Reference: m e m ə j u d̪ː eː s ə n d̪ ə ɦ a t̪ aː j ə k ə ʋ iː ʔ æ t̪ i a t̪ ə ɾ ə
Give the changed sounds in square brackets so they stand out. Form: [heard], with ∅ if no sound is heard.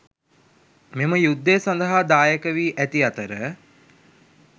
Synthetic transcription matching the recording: m e m ə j u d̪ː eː s [a] n d̪ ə ɦ a [d̪] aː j ə k ə ʋ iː ʔ æ t̪ i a t̪ ə ɾ ə